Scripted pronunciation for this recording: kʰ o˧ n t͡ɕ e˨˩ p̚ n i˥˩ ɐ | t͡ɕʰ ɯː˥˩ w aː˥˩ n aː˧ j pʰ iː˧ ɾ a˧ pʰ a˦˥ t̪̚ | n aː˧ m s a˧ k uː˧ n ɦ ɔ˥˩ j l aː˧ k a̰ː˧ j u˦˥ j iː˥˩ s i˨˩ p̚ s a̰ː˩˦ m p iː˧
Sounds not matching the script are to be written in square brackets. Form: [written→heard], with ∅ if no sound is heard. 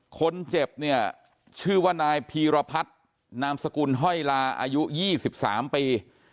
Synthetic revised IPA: kʰ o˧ n t͡ɕ e˨˩ p̚ n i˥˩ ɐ | t͡ɕʰ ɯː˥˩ w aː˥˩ n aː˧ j pʰ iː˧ ɾ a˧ pʰ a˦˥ t̪̚ | n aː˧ m s a˧ k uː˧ n ɦ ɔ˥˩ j l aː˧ [k→ʔ] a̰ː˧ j u˦˥ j iː˥˩ s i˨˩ p̚ s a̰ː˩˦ m p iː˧